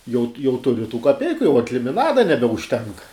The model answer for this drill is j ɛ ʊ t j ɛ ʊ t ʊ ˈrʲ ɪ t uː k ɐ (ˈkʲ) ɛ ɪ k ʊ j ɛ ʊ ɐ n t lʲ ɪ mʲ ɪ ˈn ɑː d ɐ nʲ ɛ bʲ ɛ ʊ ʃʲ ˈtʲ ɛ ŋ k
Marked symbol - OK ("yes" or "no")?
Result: no